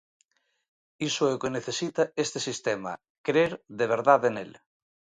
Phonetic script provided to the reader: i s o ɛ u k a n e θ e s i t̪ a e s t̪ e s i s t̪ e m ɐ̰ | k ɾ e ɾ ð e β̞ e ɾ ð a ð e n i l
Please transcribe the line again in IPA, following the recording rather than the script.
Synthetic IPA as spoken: i s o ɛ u k e n e θ e s i t̪ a e s t̪ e s i s t̪ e m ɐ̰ | k ɾ e ɾ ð e β̞ e ɾ ð a ð e n e l